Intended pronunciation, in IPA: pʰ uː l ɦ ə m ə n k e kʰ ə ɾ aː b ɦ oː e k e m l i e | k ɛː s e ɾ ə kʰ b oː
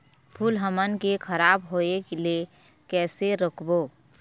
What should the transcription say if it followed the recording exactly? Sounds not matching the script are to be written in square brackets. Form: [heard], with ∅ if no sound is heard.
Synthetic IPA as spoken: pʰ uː l ɦ ə m ə n k e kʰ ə ɾ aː b ɦ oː e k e [∅] l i e | k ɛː s e ɾ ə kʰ b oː